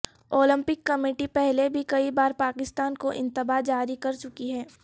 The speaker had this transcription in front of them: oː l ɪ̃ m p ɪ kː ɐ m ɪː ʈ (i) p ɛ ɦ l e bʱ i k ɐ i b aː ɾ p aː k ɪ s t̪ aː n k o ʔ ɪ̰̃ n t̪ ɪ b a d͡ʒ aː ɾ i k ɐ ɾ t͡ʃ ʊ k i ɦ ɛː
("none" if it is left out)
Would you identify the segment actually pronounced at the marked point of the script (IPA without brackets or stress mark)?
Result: i